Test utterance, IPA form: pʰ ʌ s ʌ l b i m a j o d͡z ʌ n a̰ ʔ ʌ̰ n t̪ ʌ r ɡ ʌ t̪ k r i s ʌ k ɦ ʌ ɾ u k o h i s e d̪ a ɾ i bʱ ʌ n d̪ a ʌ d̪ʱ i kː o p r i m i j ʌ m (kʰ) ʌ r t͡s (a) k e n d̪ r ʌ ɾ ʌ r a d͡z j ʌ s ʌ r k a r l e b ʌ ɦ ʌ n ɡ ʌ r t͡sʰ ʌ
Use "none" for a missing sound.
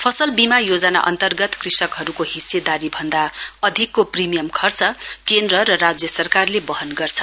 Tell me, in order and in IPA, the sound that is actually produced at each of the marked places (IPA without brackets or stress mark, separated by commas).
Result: kʰ, ʌ